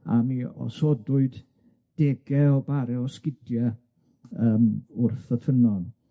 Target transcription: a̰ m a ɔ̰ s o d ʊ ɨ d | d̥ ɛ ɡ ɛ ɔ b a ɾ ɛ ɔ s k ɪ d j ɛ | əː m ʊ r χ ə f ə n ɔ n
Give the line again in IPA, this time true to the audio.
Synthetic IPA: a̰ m i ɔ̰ s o d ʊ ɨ d | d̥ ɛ ɡ ɛ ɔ b a ɾ ɛ ɔ s k ɪ d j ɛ | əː m ʊ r θ ə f ə n ɔ n